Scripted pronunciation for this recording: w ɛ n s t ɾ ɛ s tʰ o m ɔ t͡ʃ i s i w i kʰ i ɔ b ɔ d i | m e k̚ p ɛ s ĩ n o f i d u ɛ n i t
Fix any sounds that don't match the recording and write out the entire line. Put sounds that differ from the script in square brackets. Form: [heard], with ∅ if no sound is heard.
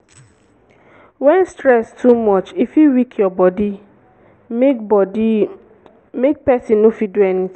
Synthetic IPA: w ɛ n s t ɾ ɛ s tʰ [u] m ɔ t͡ʃ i [f] i w i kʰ [j] ɔ b ɔ d i | m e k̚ p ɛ s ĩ n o f i d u ɛ n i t